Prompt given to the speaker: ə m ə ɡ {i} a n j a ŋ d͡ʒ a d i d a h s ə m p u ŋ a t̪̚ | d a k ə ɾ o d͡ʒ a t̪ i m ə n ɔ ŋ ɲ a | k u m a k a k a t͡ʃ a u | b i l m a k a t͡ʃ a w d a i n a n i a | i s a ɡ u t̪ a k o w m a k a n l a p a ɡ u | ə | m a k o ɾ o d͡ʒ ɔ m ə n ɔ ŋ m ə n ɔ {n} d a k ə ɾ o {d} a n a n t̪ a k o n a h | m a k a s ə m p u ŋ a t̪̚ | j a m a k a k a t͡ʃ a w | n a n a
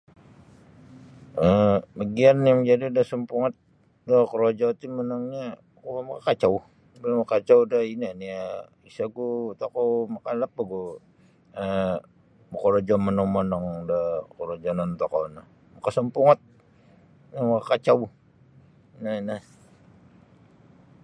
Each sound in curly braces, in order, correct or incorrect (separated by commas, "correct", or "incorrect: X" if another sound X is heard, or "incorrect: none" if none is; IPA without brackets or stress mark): correct, incorrect: ŋ, incorrect: d͡ʒ